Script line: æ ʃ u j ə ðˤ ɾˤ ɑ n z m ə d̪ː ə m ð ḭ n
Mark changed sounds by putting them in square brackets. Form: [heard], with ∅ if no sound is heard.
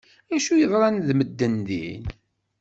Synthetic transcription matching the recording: æ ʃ u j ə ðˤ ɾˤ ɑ n [ð] m ə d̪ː ə [n] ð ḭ n